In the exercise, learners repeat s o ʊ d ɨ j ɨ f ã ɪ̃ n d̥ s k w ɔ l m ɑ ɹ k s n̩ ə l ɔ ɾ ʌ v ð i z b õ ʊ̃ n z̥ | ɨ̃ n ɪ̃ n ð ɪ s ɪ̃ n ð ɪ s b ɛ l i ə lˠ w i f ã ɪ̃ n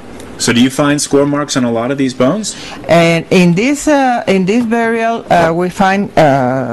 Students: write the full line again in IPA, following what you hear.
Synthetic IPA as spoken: s o ʊ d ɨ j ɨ f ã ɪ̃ n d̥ s k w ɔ ɹ m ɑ ɹ k s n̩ ə l ɔ ɾ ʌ v ð i z b õ ʊ̃ n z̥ | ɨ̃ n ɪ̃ n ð ɪ s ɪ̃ n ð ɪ s b ɛ ɹ i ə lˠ w i f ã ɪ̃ n